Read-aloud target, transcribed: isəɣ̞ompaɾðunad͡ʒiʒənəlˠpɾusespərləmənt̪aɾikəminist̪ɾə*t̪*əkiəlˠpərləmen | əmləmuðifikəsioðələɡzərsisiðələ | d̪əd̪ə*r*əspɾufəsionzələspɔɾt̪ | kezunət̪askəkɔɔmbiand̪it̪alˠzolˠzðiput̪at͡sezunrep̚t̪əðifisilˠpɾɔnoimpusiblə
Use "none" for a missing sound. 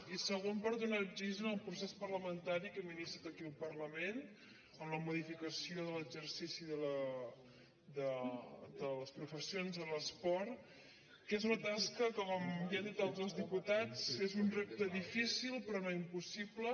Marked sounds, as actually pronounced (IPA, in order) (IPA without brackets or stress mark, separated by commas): t̪, l